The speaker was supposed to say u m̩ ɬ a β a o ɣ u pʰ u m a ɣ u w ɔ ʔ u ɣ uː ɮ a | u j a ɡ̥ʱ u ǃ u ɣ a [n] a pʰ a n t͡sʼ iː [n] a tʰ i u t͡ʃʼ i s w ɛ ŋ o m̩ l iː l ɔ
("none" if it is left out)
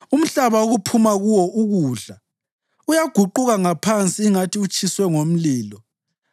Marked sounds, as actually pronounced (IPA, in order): ŋ, ŋ

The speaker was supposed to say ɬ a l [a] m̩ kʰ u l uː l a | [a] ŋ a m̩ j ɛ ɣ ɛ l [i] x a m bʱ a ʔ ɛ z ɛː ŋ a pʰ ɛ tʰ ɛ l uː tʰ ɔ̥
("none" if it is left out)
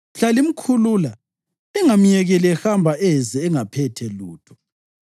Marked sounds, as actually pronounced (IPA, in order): i, ɛ, ɛ

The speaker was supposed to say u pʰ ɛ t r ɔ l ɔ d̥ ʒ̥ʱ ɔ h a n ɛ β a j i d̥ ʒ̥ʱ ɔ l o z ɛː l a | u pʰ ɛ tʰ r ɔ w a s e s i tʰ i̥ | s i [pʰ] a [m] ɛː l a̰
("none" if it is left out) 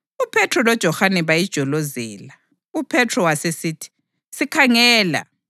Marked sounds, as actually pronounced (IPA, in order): kʰ, ŋ

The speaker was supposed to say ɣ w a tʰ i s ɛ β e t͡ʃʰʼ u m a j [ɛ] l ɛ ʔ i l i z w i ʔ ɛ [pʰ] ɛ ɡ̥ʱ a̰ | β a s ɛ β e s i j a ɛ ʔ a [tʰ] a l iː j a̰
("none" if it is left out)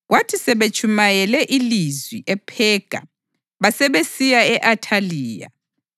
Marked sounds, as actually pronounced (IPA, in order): ɛ, pʰ, tʰ

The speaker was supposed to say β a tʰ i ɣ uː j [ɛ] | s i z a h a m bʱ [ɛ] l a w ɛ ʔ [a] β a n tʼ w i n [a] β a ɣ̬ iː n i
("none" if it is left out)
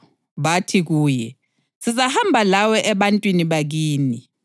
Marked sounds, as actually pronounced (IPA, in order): ɛ, a, ɛ, i

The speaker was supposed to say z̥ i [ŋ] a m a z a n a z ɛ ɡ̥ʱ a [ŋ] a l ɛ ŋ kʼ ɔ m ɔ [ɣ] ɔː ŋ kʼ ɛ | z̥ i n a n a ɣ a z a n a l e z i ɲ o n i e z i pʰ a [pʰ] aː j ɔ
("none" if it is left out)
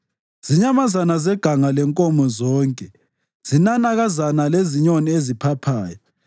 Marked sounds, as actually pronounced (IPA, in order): ɲ, ŋ, z, pʰ

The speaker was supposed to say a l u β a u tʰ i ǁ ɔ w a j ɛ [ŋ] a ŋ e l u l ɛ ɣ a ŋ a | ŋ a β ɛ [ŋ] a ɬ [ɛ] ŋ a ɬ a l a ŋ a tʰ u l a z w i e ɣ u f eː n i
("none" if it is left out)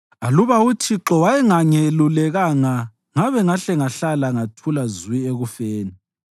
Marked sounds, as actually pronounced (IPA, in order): ŋ, ŋ, ɛ

